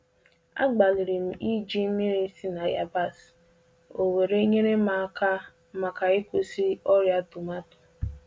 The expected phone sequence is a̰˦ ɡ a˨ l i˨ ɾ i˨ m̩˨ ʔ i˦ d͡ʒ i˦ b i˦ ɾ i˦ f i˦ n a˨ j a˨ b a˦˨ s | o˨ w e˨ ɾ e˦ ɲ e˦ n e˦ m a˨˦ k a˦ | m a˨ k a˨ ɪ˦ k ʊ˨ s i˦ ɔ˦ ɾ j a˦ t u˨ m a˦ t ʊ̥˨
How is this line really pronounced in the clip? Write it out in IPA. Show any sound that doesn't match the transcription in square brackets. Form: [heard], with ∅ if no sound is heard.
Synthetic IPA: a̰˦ [ɡ͡b] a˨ l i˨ ɾ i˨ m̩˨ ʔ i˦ d͡ʒ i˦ [m] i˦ ɾ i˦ [s] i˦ n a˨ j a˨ b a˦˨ s | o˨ w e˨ ɾ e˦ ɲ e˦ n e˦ m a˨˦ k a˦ | m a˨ k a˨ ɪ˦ k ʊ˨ s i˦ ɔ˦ ɾ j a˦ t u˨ m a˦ t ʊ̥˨